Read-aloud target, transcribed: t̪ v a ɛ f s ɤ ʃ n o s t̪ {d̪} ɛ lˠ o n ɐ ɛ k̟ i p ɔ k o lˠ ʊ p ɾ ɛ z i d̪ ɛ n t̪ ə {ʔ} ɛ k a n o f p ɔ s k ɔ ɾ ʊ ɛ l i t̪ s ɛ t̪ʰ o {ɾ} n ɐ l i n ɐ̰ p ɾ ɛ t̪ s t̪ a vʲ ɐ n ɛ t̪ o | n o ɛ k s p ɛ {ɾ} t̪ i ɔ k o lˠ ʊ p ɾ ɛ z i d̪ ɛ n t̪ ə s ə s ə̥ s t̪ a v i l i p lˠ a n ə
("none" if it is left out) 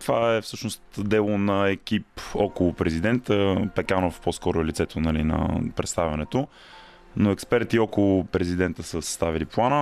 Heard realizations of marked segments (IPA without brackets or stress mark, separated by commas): d̪, p, none, ɾ